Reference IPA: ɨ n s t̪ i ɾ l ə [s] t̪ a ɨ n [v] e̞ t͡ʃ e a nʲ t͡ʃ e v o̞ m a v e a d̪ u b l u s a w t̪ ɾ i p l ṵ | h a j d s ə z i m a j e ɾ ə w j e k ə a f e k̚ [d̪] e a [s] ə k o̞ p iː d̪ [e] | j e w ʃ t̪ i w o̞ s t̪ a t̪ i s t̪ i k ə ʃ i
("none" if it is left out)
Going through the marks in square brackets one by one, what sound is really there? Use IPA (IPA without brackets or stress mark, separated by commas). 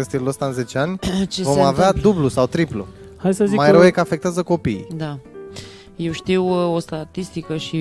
s, z, t̪, z, a